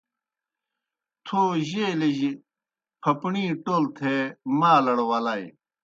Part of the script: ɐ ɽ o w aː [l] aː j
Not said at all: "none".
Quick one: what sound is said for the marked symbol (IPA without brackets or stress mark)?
l